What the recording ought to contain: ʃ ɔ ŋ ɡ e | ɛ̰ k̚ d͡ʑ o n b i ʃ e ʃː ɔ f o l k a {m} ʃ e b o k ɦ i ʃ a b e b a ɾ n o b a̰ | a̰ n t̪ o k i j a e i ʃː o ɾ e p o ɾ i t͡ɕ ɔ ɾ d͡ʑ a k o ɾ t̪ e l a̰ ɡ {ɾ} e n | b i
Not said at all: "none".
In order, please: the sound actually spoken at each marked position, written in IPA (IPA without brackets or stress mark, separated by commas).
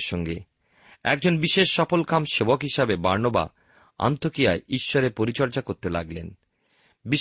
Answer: m, l